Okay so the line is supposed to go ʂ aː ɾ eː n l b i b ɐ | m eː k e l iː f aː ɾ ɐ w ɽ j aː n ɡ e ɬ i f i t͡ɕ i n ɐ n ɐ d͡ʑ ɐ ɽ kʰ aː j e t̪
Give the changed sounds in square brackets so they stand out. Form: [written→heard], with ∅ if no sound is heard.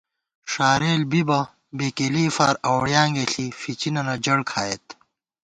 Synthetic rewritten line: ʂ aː ɾ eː [n→∅] l b i b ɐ | [m→b] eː k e l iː f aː ɾ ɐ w ɽ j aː [n→ŋ] ɡ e ɬ i f i t͡ɕ i n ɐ n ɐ d͡ʑ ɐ ɽ kʰ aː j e t̪